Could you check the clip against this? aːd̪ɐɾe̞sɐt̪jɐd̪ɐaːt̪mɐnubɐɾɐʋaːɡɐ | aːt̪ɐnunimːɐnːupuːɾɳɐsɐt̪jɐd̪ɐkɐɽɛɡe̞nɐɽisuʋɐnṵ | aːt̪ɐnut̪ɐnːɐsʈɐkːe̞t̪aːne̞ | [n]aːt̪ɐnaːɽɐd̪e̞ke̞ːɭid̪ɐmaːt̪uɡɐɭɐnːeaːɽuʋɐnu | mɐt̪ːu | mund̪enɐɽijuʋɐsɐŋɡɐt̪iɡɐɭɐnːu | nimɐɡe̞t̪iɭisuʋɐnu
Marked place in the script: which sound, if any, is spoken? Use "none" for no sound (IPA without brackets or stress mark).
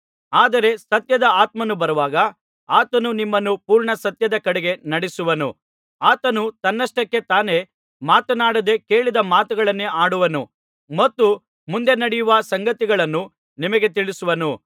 m